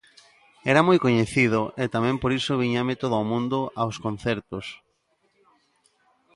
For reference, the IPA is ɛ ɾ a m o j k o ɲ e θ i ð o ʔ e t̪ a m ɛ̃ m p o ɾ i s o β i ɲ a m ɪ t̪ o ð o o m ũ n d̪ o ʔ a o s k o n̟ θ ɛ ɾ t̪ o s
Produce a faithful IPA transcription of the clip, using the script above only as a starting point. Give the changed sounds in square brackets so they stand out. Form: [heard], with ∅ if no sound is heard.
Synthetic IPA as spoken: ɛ ɾ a m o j k o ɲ e θ i ð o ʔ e t̪ a m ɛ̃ m p o ɾ i s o β i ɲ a m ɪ t̪ o ð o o m ũ n d̪ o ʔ a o s k o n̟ θ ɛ ɾ t̪ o s